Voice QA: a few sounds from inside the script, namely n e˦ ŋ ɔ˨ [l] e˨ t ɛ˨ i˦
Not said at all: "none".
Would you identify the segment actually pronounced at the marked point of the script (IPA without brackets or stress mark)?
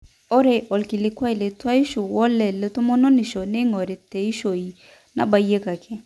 ɾ